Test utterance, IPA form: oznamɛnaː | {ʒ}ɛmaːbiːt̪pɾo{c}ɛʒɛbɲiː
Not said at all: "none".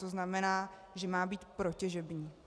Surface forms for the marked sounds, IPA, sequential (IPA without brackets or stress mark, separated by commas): ʒ, c